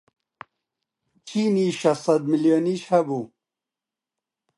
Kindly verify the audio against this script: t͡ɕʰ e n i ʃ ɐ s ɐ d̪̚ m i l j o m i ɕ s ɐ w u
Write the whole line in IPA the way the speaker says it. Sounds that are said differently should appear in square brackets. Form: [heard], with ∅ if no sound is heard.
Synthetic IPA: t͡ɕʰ [i] n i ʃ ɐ s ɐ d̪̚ m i l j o [n] i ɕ [h] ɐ [b] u